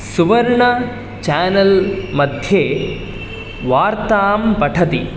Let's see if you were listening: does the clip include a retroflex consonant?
yes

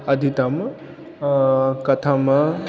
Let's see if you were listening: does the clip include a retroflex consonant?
no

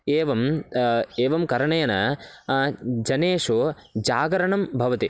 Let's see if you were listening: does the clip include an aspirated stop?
no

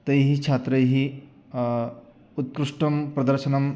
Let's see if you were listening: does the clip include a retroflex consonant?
yes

